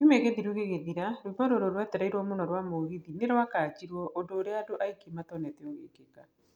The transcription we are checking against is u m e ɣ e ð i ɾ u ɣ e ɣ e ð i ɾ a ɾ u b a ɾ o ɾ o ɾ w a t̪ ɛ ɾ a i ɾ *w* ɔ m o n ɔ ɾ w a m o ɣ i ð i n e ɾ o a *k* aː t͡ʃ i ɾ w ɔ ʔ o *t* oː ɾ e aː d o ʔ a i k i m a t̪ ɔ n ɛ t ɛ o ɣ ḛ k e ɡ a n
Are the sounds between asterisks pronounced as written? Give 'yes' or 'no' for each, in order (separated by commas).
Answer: yes, yes, no